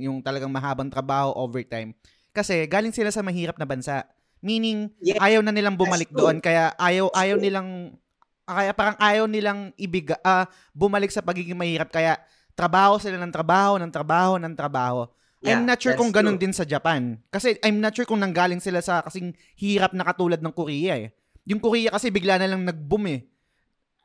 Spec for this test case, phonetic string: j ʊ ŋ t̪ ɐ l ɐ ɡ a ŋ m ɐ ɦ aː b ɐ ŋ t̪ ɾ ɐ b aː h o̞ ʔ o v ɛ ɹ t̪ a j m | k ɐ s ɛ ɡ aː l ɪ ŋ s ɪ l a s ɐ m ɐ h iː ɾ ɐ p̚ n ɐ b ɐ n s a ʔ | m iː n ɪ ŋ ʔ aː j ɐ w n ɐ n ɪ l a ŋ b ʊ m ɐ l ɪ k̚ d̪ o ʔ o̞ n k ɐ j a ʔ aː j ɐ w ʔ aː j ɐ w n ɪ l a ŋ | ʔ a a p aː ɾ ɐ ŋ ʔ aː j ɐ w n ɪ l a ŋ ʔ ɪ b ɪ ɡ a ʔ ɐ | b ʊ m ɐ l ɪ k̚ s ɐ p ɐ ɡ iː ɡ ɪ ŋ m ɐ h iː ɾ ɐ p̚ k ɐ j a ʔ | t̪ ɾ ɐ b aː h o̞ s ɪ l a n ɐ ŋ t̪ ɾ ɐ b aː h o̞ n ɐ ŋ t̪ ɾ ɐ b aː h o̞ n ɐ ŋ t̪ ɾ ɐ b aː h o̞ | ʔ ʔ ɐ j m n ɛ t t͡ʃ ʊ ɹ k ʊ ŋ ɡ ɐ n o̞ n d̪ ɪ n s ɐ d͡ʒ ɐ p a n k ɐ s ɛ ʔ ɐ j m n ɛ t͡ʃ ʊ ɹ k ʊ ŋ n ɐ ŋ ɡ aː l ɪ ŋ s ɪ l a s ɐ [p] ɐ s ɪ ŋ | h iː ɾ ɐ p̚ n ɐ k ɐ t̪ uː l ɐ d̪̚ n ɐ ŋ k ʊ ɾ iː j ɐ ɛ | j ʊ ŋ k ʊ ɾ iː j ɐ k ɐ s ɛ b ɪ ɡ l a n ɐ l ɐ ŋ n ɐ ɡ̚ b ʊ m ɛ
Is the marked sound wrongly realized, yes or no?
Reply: yes